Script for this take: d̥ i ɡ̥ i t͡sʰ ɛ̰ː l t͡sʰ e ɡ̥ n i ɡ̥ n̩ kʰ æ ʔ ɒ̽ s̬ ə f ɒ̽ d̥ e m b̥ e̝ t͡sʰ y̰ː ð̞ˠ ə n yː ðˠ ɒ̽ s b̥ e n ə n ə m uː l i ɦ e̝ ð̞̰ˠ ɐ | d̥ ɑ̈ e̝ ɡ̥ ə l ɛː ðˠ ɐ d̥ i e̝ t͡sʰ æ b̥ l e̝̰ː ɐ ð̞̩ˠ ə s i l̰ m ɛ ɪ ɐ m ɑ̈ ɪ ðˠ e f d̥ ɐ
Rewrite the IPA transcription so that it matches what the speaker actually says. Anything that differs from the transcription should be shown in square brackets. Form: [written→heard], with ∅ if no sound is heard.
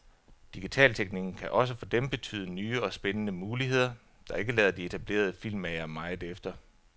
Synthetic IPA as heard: d̥ i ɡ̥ i t͡sʰ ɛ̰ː l t͡sʰ e ɡ̥ n i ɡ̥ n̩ kʰ æ ʔ ɒ̽ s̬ ə f ɒ̽ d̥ e m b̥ e̝ t͡sʰ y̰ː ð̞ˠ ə n yː [ðˠ→∅] ɒ̽ s b̥ e n ə n ə m uː l i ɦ e̝ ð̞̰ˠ ɐ | d̥ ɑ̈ e̝ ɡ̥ ə l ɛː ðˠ ɐ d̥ i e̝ t͡sʰ æ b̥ l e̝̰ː ɐ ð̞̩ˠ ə [s→f] i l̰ m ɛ ɪ ɐ m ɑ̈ ɪ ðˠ e f d̥ ɐ